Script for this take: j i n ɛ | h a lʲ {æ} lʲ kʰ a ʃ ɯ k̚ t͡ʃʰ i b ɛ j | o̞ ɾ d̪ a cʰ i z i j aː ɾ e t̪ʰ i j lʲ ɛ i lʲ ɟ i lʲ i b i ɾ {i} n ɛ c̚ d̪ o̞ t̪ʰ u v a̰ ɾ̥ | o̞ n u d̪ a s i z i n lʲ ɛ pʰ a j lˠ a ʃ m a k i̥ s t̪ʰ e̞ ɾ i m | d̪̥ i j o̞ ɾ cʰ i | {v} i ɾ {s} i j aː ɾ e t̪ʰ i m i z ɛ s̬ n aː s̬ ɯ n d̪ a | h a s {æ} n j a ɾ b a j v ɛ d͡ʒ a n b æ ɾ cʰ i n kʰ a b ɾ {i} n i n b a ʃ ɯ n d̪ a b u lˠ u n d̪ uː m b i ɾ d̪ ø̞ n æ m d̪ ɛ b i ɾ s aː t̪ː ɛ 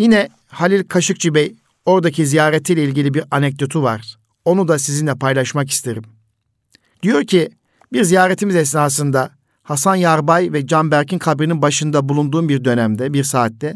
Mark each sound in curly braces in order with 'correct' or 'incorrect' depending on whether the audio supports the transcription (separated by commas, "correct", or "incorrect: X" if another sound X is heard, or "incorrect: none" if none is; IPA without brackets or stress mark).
incorrect: i, incorrect: a, incorrect: b, incorrect: z, incorrect: a, correct